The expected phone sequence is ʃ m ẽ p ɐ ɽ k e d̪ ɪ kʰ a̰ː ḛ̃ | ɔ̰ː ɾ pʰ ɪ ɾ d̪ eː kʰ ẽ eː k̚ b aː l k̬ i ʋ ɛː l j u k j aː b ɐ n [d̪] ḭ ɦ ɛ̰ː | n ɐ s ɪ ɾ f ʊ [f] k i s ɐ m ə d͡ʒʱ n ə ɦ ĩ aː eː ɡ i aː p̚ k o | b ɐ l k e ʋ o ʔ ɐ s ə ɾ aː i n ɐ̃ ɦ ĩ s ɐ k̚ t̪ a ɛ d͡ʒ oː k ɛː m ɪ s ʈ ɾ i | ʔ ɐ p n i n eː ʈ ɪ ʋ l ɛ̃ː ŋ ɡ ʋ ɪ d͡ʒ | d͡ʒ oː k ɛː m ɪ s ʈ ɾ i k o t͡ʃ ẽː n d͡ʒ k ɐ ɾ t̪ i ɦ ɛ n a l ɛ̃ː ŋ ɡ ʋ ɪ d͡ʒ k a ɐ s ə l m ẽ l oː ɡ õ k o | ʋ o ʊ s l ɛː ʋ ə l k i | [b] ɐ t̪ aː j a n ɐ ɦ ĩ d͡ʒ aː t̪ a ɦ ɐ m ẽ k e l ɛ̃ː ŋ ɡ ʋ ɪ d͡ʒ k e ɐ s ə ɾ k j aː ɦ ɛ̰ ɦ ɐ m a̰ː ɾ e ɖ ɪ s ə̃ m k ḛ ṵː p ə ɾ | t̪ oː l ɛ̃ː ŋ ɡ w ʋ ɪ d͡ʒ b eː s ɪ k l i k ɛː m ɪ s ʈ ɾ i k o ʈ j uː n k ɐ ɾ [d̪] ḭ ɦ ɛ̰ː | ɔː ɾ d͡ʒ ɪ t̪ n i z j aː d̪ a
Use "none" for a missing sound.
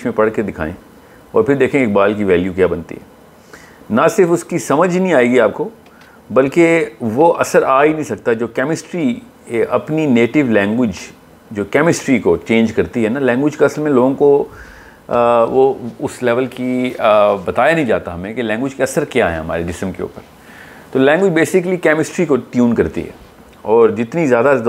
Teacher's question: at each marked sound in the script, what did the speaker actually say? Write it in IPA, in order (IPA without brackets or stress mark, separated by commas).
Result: t̪, s, b, t̪